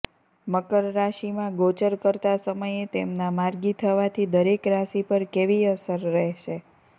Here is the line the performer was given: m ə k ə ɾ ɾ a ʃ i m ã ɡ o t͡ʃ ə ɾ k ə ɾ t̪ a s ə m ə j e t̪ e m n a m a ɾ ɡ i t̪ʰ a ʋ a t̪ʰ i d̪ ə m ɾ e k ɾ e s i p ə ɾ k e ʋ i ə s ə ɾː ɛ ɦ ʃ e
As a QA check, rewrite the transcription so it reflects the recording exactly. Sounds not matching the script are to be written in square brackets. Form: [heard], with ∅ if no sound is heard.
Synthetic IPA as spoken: m ə k ə ɾ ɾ a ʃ i m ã ɡ o t͡ʃ ə ɾ k ə ɾ t̪ a s ə m ə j e t̪ e m n a m a ɾ ɡ i t̪ʰ [ə] ʋ a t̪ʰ i d̪ ə [∅] ɾ e k ɾ [a] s i p ə ɾ k e ʋ i ə s ə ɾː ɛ ɦ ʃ e